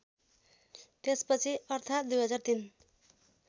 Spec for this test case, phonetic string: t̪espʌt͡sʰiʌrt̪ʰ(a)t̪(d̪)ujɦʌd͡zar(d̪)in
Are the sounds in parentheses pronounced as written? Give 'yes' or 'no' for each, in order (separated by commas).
yes, yes, no